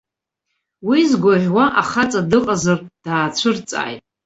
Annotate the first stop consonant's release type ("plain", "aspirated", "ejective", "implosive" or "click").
plain